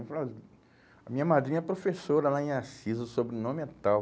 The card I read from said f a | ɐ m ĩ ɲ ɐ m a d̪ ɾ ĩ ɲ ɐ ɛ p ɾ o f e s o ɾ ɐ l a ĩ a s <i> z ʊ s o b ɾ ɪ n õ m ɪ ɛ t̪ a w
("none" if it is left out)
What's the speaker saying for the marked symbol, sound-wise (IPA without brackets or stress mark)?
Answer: i